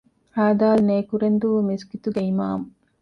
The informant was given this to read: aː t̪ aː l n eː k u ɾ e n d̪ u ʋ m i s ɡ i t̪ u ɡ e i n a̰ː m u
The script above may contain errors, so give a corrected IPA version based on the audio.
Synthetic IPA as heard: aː d̪ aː l n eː k u ɾ e n d̪ u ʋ m i s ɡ i t̪ u ɡ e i m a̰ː m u